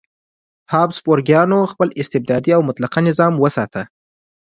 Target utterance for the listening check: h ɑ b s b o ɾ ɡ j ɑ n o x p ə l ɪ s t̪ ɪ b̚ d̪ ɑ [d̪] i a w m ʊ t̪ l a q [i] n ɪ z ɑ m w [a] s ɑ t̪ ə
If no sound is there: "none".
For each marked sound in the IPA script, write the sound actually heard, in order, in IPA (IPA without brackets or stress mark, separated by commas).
d̪, a, ə